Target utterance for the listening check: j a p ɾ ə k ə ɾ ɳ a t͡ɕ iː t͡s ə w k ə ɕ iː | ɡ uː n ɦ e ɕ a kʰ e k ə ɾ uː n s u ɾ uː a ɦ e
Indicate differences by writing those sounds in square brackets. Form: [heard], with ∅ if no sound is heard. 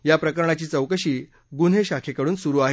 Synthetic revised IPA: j a p ɾ ə k ə ɾ ɳ a t͡ɕ iː t͡s ə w k ə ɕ iː | ɡ [u] n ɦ e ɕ a kʰ e k ə [ɽ] uː n s u ɾ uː a ɦ e

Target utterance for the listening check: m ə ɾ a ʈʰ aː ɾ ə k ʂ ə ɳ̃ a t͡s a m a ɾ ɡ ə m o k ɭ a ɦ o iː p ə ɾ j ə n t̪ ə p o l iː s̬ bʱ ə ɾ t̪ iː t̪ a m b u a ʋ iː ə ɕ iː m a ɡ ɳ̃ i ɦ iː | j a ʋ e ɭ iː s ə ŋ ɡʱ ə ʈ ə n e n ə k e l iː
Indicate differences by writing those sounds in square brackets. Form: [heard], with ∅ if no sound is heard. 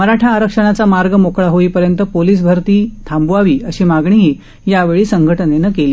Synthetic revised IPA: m ə ɾ a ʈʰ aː ɾ ə k ʂ ə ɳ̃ a t͡s a m a ɾ ɡ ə m o k ɭ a ɦ o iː p ə ɾ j ə n t̪ ə p o l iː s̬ bʱ ə ɾ t̪ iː [t̪ʰ] a m b u a ʋ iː ə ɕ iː m a ɡ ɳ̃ i ɦ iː | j a ʋ e ɭ iː s ə ŋ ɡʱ ə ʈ ə n e n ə k e l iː

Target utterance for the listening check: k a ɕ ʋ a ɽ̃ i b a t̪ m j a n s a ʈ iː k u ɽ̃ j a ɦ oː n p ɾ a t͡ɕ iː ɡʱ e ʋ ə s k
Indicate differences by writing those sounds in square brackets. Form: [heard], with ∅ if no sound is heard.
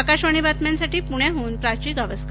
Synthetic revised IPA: k a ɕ ʋ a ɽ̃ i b a t̪ m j a n s a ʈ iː [p] u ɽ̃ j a ɦ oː n p ɾ a t͡ɕ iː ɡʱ [a] ʋ ə s k

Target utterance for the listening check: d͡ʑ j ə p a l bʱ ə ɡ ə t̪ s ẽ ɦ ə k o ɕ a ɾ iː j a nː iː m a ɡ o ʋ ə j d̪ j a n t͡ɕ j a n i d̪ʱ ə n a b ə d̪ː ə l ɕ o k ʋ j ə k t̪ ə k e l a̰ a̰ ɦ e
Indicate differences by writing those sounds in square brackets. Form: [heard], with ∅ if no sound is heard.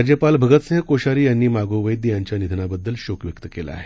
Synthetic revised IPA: d͡ʑ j ə p a l bʱ ə ɡ ə t̪ s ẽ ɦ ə k o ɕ a ɾ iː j a nː iː m a ɡ o ʋ ə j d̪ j a [ɲ] t͡ɕ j a n i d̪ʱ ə n a b ə d̪ː ə l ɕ o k ʋ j ə k t̪ ə k e l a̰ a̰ ɦ e

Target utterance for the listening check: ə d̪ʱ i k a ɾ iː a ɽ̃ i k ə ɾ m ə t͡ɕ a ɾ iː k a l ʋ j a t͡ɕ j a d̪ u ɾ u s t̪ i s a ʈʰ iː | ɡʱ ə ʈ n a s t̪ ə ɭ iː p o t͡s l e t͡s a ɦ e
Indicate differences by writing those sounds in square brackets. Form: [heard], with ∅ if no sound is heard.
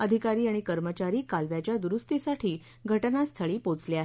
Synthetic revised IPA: ə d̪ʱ i k a ɾ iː a ɽ̃ i k ə ɾ m ə t͡ɕ a ɾ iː k a l ʋ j a t͡ɕ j a d̪ u ɾ u s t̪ i s a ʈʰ iː | ɡʱ ə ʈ n a s [t̪ʰ] ə ɭ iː p o t͡s l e [∅] a ɦ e

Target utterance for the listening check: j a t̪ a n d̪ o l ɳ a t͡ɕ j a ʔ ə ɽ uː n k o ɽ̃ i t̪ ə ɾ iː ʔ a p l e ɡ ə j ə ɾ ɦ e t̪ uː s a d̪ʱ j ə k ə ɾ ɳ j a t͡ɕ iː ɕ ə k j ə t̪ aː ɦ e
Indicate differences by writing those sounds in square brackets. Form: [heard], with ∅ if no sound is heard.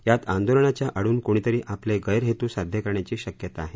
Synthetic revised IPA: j a t̪ a n d̪ o l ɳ a t͡ɕ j a ʔ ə ɽ uː n k o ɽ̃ i t̪ ə ɾ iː ʔ a p l e ɡ ə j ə ɾ ɦ e t̪ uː s a d̪ʱ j ə k ə ɾ ɳ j a t͡ɕ iː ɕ ə k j ə t̪ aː ɦ e

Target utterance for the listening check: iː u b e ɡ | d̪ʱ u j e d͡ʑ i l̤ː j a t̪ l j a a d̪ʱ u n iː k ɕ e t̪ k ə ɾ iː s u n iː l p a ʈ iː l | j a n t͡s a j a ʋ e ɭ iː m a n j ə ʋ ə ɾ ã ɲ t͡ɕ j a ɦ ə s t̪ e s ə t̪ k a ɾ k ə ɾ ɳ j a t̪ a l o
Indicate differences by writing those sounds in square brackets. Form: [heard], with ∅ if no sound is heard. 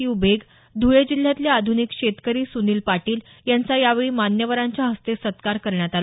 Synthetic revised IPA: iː u b e ɡ | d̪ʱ u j e d͡ʑ i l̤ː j a t̪ l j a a d̪ʱ u n [i] k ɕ e t̪ k ə ɾ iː s u n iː l p a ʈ iː l | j a n t͡s a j a ʋ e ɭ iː m a n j ə ʋ ə ɾ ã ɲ t͡ɕ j a ɦ ə s t̪ e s ə t̪ k a ɾ k ə ɾ ɳ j a t̪ a l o

